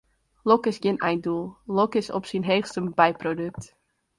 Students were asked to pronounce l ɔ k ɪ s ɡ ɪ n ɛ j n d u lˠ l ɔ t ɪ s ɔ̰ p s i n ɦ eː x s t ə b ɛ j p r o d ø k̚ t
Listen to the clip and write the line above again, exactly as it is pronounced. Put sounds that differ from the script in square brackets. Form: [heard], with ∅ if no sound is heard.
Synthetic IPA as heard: l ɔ k ɪ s ɡ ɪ n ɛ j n d u lˠ l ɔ [k] ɪ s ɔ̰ p s i n ɦ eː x s t ə b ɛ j p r o d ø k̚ t